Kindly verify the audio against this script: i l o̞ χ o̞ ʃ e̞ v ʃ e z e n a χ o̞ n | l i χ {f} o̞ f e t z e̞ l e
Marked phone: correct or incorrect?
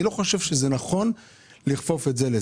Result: correct